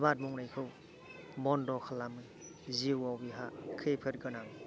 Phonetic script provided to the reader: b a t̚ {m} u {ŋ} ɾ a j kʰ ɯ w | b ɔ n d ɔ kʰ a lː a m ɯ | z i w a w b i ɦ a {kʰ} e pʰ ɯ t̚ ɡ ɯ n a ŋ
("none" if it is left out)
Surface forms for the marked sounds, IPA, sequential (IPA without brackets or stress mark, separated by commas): m, ŋ, kʰ